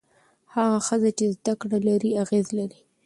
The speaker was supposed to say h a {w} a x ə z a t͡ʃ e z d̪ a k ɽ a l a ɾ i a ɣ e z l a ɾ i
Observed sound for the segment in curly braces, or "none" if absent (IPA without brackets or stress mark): ɣ